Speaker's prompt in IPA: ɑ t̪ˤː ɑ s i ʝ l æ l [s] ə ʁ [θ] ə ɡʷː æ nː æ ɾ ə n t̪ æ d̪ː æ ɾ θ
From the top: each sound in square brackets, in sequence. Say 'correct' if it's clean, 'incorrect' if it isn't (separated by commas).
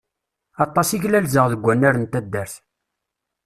incorrect, incorrect